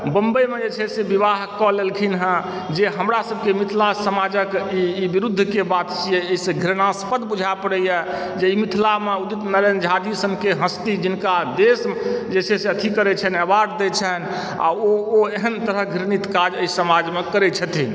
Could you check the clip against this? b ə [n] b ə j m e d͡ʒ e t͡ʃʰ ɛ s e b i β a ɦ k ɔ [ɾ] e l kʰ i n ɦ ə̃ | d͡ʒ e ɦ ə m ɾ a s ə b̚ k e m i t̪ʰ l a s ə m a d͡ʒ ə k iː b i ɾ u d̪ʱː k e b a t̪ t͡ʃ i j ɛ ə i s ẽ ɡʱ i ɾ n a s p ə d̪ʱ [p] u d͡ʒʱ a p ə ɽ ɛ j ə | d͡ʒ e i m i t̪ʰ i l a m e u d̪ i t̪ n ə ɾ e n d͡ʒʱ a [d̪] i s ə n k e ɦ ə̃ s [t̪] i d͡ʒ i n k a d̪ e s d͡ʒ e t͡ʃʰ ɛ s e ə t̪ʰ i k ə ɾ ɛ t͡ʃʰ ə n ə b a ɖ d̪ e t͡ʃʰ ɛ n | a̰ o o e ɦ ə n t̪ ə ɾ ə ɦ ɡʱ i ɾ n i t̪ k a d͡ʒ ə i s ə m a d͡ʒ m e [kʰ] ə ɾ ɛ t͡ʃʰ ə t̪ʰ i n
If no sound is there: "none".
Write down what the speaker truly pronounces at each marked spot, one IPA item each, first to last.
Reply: m, l, b, d̪, t̪, k

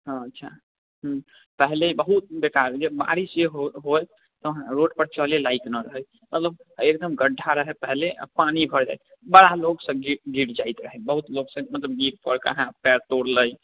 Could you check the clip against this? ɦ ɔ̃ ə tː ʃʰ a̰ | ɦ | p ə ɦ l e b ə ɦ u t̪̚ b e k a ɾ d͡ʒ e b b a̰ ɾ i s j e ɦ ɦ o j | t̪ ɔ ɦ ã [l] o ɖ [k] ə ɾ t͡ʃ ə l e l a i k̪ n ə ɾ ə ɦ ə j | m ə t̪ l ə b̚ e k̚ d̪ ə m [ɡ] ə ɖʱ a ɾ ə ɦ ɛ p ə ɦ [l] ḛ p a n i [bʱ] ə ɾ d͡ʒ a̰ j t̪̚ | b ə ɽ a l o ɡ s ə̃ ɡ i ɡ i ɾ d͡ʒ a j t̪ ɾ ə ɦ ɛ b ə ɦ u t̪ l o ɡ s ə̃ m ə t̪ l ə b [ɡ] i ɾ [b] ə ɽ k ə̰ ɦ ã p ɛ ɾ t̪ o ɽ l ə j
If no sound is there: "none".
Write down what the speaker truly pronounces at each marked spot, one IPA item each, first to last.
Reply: ɾ, p, ɡ, l, bʱ, ɡ, p

